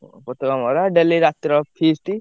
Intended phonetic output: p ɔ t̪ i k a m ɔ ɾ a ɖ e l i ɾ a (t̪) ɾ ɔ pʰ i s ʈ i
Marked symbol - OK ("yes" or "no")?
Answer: yes